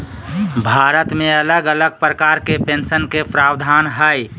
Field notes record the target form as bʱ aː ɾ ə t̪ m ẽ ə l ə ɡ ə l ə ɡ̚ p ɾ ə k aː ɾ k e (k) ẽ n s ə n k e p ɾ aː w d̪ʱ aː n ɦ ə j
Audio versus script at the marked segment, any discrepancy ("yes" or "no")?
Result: yes